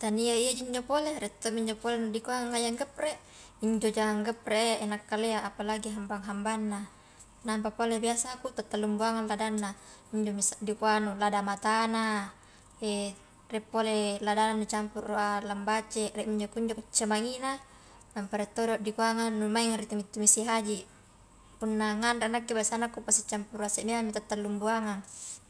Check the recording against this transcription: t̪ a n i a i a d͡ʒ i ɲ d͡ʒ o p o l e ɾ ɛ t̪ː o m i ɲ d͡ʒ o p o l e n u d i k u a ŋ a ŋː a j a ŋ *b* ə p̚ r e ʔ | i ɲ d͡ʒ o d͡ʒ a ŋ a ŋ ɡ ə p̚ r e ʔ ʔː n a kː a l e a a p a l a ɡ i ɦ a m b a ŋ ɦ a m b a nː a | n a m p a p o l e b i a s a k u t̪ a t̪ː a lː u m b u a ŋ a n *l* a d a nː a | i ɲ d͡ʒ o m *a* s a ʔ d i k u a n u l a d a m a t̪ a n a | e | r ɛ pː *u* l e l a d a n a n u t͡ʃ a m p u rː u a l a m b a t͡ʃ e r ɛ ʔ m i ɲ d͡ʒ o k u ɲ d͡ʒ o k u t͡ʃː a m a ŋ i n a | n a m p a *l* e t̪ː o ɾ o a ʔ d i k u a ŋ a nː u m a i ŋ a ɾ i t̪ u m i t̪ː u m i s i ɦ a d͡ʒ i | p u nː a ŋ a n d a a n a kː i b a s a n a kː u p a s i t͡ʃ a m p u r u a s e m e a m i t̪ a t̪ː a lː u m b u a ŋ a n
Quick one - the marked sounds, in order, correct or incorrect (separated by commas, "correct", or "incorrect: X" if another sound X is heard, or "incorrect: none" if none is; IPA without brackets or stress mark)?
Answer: incorrect: ɡ, correct, incorrect: i, incorrect: o, incorrect: ɾ